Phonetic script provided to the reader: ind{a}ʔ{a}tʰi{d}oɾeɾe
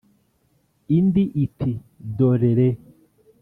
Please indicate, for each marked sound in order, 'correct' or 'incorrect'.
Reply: incorrect: i, incorrect: i, correct

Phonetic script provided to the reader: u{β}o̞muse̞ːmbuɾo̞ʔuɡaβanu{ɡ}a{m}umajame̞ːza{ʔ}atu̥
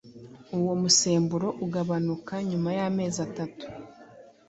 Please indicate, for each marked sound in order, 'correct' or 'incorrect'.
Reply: incorrect: w, incorrect: k, incorrect: ɲ, incorrect: t

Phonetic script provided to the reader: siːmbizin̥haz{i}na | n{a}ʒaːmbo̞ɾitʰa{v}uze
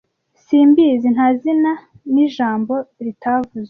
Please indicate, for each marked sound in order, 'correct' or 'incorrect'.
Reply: correct, incorrect: i, correct

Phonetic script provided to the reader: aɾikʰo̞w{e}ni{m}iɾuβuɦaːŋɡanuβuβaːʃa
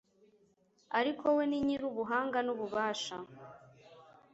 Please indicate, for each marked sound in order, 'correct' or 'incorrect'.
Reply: correct, incorrect: ɲ

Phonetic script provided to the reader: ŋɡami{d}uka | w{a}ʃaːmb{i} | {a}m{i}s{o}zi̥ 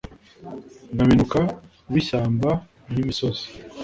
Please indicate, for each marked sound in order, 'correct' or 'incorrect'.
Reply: incorrect: n, incorrect: i, incorrect: a, incorrect: i, correct, correct

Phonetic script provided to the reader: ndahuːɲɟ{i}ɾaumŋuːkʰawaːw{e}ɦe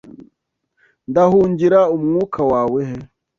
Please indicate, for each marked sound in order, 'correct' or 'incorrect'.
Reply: correct, correct

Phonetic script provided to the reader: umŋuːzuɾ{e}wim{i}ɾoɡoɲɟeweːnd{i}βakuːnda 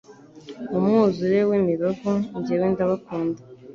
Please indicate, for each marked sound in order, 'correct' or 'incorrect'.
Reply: correct, correct, incorrect: a

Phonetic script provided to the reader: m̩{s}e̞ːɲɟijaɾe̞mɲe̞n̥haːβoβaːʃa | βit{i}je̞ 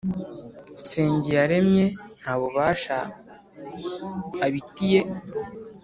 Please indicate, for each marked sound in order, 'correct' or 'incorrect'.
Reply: correct, correct

